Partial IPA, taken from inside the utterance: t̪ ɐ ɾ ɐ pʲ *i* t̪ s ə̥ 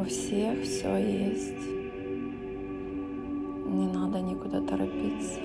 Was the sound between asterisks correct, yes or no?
yes